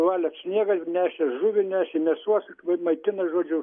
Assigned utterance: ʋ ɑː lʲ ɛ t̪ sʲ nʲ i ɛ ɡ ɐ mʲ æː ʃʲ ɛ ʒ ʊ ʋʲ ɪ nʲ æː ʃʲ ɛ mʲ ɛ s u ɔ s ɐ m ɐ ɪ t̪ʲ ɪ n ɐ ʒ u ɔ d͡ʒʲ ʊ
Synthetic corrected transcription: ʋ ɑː lʲ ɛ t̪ sʲ nʲ i ɛ ɡ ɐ nʲ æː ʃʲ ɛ ʒ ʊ ʋʲ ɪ nʲ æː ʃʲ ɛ mʲ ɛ s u ɔ s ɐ m ɐ ɪ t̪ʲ ɪ n ɐ ʒ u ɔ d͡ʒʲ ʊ

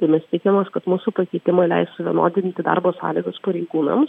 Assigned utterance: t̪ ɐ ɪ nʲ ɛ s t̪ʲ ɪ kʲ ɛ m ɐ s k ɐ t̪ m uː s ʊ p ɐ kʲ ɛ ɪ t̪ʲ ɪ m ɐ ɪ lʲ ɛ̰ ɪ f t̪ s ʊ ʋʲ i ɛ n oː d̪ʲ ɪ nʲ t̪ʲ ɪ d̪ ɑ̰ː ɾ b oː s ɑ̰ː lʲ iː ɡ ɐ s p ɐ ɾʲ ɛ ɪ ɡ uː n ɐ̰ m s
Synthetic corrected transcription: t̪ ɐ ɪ mʲ ɛ s t̪ʲ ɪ kʲ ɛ m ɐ s k ɐ t̪ m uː s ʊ p ɐ kʲ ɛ ɪ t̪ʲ ɪ m ɐ ɪ lʲ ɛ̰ ɪ s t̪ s ʊ ʋʲ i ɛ n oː d̪ʲ ɪ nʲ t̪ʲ ɪ d̪ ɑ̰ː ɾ b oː s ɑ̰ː lʲ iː ɡ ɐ s p ɐ ɾʲ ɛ ɪ ɡ uː n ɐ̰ m s

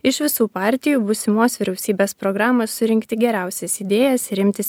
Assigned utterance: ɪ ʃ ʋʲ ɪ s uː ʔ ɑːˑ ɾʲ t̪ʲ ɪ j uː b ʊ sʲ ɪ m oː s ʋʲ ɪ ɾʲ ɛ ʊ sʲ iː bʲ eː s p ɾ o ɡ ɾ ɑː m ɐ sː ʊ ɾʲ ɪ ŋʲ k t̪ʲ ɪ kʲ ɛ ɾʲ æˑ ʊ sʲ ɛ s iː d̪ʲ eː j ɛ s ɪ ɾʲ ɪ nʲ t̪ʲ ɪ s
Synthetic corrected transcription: ɪ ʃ ʋʲ ɪ s uː p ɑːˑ ɾʲ t̪ʲ ɪ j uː b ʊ sʲ ɪ m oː s ʋʲ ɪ ɾʲ ɛ ʊ sʲ iː bʲ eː s p ɾ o ɡ ɾ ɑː m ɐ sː ʊ ɾʲ ɪ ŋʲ k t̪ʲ ɪ ɡʲ ɛ ɾʲ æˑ ʊ sʲ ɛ s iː d̪ʲ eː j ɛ s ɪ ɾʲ ɪ mʲ t̪ʲ ɪ s

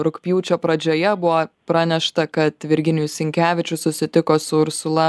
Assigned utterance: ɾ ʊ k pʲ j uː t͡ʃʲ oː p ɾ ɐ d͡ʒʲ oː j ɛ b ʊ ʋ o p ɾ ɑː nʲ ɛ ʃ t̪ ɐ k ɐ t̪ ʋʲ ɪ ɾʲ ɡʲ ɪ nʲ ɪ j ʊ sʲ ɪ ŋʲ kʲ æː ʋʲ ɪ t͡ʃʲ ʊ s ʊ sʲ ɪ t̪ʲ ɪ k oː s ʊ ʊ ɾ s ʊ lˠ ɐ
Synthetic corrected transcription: ɾ ʊ k pʲ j uː t͡ʃʲ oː p ɾ ɐ d͡ʒʲ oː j ɛ b ʊ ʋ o p ɾ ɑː nʲ ɛ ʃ t̪ ɐ k ɐ t̪ ʋʲ ɪ ɾʲ ɡʲ ɪ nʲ ɪ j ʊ sʲ ɪ ŋʲ kʲ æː ʋʲ ɪ t͡ʃʲ ʊ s ʊ sʲ ɪ t̪ʲ ɪ k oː s ʊ ʊ ɾ s ʊ lˠ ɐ

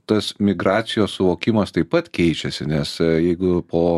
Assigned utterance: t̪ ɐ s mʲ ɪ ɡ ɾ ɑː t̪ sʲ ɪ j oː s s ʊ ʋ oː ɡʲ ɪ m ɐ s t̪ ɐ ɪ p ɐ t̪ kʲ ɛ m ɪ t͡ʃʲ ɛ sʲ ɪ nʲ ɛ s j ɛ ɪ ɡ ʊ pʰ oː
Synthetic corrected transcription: t̪ ɐ s mʲ ɪ ɡ ɾ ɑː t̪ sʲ ɪ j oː s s ʊ ʋ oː kʲ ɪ m ɐ s t̪ ɐ ɪ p ɐ t̪ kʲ ɛ ɪ t͡ʃʲ ɛ sʲ ɪ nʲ ɛ s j ɛ ɪ ɡ ʊ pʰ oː

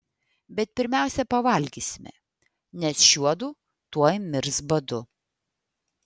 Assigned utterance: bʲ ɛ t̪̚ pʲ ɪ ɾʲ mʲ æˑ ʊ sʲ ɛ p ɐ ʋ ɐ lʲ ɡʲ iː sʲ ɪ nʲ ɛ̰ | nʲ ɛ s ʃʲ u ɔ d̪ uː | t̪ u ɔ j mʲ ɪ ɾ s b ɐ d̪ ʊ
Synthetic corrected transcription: bʲ ɛ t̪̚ pʲ ɪ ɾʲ mʲ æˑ ʊ sʲ ɛ p ɐ ʋ ɐ lʲ ɡʲ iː sʲ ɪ mʲ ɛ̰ | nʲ ɛ s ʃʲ u ɔ d̪ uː | t̪ u ɔ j mʲ ɪ ɾ s b ɐ d̪ ʊ

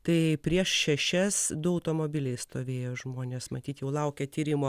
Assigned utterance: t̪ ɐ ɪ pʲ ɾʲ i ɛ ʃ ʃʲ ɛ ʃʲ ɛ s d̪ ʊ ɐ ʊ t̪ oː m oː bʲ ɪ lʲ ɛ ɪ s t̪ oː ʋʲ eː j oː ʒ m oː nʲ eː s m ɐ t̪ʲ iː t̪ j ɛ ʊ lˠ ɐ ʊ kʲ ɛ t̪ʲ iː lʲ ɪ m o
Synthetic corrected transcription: t̪ ɐ ɪ pʲ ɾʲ i ɛ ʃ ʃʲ ɛ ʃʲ ɛ s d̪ ʊ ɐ ʊ t̪ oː m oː bʲ ɪ lʲ ɛ ɪ s t̪ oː ʋʲ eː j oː ʒ m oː nʲ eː s m ɐ t̪ʲ iː t̪ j ɛ ʊ lˠ ɐ ʊ kʲ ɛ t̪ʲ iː ɾʲ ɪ m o

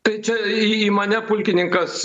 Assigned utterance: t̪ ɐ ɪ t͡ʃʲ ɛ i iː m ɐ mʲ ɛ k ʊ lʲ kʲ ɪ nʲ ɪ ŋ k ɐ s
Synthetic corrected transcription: t̪ ɐ ɪ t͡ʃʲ ɛ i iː m ɐ nʲ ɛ p ʊ lʲ kʲ ɪ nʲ ɪ ŋ k ɐ s

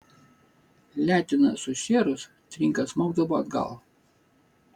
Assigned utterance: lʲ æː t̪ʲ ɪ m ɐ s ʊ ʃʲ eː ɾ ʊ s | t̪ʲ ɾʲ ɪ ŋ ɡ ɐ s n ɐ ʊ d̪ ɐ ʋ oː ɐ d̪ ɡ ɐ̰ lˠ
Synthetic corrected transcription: lʲ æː t̪ʲ ɪ n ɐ s ʊ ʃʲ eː ɾ ʊ s | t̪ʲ ɾʲ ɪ ŋ k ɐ s m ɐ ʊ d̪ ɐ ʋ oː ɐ d̪ ɡ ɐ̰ lˠ

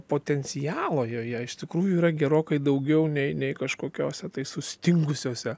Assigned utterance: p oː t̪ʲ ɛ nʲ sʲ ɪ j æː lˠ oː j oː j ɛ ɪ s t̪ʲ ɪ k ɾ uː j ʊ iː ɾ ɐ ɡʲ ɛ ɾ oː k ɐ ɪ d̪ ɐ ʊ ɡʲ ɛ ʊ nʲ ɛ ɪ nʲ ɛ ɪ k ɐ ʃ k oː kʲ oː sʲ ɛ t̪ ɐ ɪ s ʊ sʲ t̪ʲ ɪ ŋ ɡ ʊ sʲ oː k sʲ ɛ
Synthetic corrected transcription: p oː t̪ʲ ɛ nʲ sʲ ɪ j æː lˠ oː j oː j ɛ ɪ ʃ t̪ʲ ɪ k ɾ uː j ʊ iː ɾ ɐ ɡʲ ɛ ɾ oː k ɐ ɪ d̪ ɐ ʊ ɡʲ ɛ ʊ nʲ ɛ ɪ nʲ ɛ ɪ k ɐ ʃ k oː kʲ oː sʲ ɛ t̪ ɐ ɪ s ʊ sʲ t̪ʲ ɪ ŋ ɡ ʊ sʲ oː sʲ ɛ

